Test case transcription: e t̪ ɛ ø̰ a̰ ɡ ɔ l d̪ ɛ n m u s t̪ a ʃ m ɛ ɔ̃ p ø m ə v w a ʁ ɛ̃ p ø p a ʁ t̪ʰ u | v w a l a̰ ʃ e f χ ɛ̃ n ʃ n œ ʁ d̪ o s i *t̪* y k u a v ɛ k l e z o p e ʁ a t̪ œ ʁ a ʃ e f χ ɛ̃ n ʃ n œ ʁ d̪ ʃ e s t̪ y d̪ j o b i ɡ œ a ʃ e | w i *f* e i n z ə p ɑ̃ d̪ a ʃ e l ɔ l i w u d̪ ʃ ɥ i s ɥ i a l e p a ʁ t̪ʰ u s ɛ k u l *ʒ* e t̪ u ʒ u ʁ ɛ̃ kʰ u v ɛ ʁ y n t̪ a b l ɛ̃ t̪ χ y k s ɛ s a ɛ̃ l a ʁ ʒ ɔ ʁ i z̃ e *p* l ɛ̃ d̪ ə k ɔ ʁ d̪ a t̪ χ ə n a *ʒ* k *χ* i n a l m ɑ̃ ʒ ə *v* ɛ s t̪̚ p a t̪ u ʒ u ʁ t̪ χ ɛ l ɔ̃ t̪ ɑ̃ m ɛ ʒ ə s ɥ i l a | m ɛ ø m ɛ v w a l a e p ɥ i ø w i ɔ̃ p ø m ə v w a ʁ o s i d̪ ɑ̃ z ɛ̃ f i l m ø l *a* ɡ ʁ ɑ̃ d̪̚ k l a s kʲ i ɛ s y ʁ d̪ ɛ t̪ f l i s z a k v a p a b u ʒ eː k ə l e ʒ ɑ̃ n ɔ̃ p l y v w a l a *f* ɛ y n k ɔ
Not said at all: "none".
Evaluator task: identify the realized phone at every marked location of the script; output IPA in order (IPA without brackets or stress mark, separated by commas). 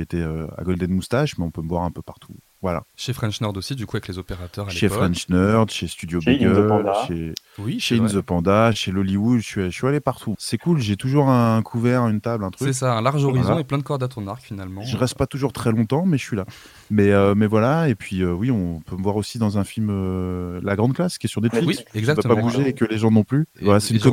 d̪, ʃ, ʒ, p, ʁ, f, ʁ, a, s